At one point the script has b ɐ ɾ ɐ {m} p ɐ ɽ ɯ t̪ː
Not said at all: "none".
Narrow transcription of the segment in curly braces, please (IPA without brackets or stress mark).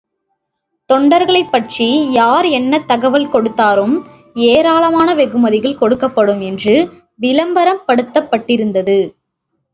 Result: m